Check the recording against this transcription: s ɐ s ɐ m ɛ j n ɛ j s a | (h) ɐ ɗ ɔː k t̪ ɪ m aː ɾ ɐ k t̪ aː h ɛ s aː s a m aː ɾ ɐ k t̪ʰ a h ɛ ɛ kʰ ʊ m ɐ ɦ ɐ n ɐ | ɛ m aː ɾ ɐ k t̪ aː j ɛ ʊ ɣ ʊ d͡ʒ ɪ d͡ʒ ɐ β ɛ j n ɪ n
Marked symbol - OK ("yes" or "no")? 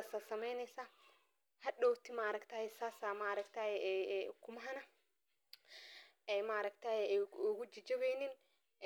yes